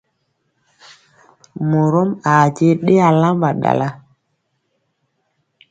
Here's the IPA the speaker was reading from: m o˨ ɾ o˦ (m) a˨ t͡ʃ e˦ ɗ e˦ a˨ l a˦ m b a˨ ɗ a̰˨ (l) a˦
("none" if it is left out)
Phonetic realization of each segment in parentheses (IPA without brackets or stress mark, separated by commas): m, l